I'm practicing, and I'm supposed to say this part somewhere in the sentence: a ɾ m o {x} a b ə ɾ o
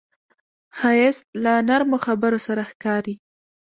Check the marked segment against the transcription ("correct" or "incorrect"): correct